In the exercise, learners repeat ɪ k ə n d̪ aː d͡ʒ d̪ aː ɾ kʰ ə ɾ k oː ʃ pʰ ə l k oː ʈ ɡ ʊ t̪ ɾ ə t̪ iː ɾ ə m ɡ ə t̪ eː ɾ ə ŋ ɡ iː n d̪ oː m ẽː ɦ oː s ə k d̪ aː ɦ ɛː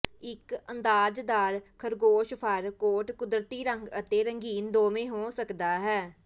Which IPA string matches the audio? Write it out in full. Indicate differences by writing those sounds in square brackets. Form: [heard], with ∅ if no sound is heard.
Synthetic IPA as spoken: ɪ k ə n d̪ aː d͡ʒ d̪ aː ɾ kʰ ə ɾ [ɡ] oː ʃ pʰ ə [ɾ] k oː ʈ [k] ʊ [d̪] ɾ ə t̪ iː ɾ ə [ŋ] ɡ ə t̪ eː ɾ ə ŋ ɡ iː n d̪ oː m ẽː ɦ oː s ə k d̪ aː ɦ ɛː